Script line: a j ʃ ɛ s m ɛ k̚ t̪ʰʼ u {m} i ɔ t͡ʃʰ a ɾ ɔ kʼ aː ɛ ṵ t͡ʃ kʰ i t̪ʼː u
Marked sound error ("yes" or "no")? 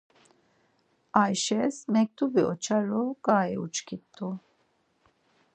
yes